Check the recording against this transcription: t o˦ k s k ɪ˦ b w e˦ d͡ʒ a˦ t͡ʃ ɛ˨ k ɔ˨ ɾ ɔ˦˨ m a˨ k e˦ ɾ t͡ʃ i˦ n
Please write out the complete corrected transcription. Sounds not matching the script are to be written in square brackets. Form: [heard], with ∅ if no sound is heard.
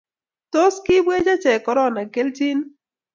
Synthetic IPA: t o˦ [∅] s k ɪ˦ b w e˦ d͡ʒ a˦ t͡ʃ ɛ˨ k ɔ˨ ɾ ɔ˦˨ [n] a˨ k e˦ [l] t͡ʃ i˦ n